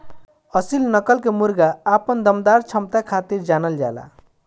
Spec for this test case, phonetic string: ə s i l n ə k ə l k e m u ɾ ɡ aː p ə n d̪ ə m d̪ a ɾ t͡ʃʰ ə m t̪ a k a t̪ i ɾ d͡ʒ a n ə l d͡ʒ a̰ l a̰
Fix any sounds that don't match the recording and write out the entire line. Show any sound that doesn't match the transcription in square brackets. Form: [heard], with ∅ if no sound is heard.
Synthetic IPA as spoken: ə s i l n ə k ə l k e m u ɾ ɡ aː p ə n d̪ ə m d̪ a ɾ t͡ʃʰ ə m t̪ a [kʰ] a t̪ i ɾ d͡ʒ a n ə l d͡ʒ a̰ l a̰

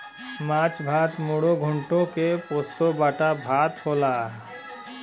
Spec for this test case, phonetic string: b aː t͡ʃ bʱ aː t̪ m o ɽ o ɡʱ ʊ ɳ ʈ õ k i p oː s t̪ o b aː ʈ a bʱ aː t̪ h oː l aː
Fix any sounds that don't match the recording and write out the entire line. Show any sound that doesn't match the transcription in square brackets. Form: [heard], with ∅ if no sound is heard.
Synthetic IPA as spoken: [m] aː t͡ʃ bʱ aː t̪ m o ɽ o ɡʱ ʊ ɳ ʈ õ k [e] p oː s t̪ o b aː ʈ a bʱ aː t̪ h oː l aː

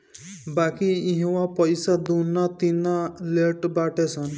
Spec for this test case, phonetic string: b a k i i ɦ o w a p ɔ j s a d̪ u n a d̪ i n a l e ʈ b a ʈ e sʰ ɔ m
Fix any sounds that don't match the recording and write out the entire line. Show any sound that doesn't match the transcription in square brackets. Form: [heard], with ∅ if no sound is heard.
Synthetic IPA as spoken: b a k i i ɦ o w a p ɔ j s a d̪ u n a [t̪] i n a l e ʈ b a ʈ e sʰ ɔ [n]

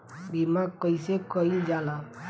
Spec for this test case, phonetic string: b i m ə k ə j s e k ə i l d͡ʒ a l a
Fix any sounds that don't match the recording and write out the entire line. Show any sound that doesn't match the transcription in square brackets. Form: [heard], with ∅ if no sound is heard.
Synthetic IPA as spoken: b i m [a] k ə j s e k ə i l d͡ʒ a l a

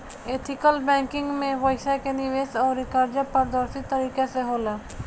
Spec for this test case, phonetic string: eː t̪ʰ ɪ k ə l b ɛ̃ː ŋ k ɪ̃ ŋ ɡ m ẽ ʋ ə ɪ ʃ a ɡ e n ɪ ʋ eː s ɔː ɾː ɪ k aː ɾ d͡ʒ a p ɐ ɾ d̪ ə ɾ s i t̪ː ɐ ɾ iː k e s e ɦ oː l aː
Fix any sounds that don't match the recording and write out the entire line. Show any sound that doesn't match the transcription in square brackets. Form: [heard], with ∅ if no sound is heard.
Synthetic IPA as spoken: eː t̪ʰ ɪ k ə l b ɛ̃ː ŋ k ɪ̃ ŋ ɡ m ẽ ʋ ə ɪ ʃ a [k] e n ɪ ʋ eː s ɔː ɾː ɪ k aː ɾ d͡ʒ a p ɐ ɾ d̪ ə ɾ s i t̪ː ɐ ɾ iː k e s e ɦ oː l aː

